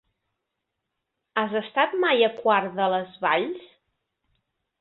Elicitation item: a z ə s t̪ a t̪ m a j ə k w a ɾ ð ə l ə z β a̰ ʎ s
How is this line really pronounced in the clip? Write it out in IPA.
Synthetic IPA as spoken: a z ə s t̪ a t̪ m a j ə k w a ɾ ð ə l ə z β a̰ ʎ s